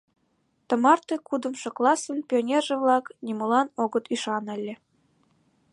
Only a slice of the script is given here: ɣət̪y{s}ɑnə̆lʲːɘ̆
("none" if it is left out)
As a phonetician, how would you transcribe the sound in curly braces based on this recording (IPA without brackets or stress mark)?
ʃ